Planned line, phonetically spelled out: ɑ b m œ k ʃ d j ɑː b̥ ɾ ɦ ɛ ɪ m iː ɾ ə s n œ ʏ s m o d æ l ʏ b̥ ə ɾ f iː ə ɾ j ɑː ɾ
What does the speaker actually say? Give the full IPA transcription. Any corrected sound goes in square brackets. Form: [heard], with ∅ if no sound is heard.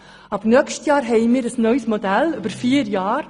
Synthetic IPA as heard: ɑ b [n] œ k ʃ [t] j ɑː [∅] ɾ ɦ ɛ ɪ m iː ɾ ə s n œ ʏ s m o d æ l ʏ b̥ ə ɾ f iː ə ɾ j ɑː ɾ